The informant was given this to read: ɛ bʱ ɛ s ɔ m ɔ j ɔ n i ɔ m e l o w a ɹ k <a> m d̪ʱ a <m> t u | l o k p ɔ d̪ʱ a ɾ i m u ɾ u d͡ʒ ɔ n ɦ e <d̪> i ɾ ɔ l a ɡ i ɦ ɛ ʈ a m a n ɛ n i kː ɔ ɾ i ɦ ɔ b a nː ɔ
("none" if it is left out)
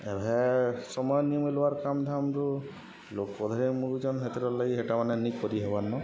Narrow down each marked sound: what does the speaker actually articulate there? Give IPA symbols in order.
a, m, t̪

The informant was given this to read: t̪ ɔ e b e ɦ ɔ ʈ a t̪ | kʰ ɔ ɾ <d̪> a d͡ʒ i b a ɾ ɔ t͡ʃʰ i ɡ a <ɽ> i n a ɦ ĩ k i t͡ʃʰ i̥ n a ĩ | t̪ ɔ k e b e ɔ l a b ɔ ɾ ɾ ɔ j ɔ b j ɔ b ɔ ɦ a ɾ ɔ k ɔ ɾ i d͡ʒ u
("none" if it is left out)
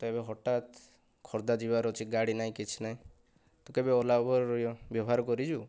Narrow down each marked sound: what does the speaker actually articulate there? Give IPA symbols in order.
d̪, ɽ

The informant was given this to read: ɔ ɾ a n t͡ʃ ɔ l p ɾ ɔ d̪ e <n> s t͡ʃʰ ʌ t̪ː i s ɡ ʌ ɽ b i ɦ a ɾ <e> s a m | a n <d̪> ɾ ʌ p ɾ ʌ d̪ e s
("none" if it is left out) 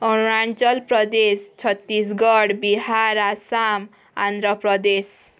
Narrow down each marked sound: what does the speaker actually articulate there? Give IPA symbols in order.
none, a, d̪

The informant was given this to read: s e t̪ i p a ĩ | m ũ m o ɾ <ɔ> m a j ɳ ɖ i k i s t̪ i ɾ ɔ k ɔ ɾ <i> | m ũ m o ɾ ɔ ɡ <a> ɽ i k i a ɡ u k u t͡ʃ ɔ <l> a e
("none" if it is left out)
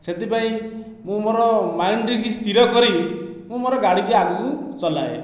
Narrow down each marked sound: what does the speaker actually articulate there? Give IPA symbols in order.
ɔ, i, a, l

